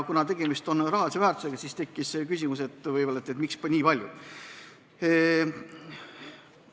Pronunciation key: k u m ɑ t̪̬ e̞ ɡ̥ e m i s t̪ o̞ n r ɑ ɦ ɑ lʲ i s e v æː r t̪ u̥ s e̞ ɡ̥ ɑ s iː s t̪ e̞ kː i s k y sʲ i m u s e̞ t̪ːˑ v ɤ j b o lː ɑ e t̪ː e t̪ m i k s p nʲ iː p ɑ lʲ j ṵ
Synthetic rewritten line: k u n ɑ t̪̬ e̞ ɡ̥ e m i s t̪ o̞ n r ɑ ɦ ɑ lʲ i s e v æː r t̪ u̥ s e̞ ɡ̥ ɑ s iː s t̪ e̞ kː i s k y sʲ i m u s e̞ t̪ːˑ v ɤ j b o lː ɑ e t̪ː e t̪ m i k s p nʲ iː p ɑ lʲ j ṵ

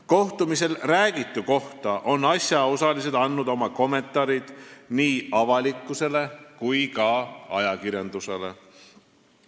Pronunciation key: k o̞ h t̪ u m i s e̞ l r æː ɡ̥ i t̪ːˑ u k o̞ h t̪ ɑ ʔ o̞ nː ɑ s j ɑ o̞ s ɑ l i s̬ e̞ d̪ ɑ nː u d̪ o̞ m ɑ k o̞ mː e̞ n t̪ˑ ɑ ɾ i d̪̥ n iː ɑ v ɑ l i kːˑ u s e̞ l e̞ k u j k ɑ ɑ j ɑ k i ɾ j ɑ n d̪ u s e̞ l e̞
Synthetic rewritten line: k o̞ h t̪ u m i s e̞ l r æː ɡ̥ i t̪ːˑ u k o̞ h t̪ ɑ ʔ o̞ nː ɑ s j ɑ o̞ s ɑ l i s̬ e̞ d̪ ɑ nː u d̪ o̞ m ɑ k o̞ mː e̞ n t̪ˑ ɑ ɾ i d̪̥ n iː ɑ v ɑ l i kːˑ u s e̞ l e̞ k u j k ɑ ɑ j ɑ k i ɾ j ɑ n d̪ u s e̞ l e̞

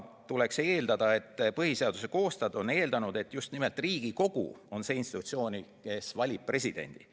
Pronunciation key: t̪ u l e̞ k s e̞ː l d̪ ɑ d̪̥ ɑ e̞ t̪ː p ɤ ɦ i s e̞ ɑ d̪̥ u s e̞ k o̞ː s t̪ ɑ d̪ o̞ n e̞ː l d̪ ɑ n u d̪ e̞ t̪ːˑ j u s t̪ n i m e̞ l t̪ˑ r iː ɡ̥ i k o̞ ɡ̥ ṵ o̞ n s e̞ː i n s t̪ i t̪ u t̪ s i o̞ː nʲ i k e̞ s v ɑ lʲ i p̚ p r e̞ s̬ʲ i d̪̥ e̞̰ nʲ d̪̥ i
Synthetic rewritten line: t̪ u l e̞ k s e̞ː l d̪ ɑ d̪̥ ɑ e̞ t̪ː p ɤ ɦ i s e̞ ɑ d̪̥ u s e̞ k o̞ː s t̪ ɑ d̪ o̞ n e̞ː l d̪ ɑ n u d̪ e̞ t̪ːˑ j u s t̪ n i m e̞ l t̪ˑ r iː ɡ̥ i k o̞ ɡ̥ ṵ o̞ n s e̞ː i n s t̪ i t̪ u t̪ s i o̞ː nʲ i k e̞ s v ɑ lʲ i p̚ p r e̞ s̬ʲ i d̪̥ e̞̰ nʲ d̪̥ i

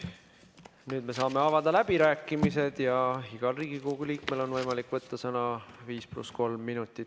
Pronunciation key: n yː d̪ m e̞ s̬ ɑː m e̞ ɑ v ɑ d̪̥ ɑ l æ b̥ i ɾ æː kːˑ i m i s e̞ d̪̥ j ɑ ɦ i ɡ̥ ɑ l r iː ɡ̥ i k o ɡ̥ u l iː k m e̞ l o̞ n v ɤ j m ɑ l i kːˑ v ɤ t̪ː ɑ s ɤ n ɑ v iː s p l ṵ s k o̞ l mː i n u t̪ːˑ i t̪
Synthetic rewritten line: n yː d̪ m e̞ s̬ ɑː m e̞ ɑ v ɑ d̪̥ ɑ l æ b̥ i ɾ æː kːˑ i m i s e̞ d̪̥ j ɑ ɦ i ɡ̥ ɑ l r iː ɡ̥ i k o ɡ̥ u l iː k m e̞ l o̞ n v ɤ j m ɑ l i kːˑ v ɤ t̪ː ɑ s ɤ n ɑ v iː s p l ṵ s k o̞ l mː i n u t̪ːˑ i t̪

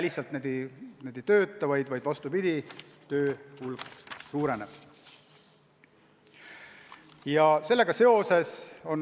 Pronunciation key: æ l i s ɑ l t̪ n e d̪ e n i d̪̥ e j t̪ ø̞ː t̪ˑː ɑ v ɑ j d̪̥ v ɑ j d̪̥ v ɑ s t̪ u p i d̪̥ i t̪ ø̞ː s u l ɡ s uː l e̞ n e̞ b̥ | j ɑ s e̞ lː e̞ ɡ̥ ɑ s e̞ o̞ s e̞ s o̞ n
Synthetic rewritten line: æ l i s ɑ l t̪ n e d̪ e n e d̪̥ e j t̪ ø̞ː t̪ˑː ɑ v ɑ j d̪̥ v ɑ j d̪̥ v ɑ s t̪ u p i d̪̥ i t̪ ø̞ː h u l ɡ s uː ɾ e̞ n e̞ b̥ | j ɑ s e̞ lː e̞ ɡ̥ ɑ s e̞ o̞ s e̞ s o̞ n

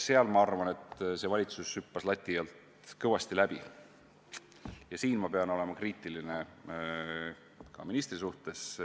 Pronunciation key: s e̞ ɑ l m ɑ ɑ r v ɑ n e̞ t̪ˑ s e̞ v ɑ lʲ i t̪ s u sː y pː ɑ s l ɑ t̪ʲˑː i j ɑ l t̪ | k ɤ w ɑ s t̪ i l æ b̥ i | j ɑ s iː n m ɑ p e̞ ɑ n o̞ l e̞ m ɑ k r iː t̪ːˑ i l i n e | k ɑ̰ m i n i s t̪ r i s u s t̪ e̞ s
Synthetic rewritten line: s e̞ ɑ l m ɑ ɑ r v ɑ n e̞ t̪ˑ s e̞ v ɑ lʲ i t̪ s u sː y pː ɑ s l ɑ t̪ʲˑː i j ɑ l t̪ | k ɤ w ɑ s t̪ i l æ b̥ i | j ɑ s iː n m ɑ p e̞ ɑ n o̞ l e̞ m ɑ k r iː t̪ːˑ i l i n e | k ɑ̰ m i n i s t̪ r i s u h t̪ e̞ s

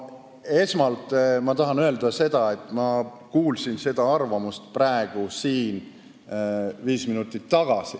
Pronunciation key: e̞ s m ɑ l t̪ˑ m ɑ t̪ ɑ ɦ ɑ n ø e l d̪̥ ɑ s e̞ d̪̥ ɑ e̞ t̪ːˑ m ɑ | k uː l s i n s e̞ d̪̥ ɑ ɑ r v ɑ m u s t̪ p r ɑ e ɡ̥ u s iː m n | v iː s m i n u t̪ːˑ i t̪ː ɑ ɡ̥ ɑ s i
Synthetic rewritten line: e̞ s m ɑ l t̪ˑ m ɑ t̪ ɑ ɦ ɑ n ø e l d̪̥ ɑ s e̞ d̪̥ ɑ e̞ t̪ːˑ m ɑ | k uː l s i n s e̞ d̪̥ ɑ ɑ r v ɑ m u s t̪ p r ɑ e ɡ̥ u s iː n | v iː s m i n u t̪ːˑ i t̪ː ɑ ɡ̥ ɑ s i

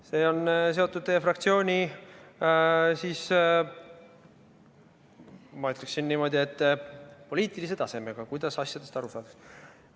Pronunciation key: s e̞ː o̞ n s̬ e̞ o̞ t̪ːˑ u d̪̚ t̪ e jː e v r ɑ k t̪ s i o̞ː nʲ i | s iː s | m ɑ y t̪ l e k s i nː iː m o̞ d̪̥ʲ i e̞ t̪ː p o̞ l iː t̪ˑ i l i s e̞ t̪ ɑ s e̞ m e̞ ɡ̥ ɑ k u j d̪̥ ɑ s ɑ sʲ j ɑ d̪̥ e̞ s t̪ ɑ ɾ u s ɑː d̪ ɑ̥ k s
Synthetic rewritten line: s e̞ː o̞ n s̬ e̞ o̞ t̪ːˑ u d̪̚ t̪ e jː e f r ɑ k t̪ s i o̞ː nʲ i | s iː s | m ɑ y t̪ l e k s i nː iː m o̞ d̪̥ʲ i e̞ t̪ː p o̞ l iː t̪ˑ i l i s e̞ t̪ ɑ s e̞ m e̞ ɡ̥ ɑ k u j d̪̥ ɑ s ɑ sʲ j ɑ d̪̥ e̞ s t̪ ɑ ɾ u s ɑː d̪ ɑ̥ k s

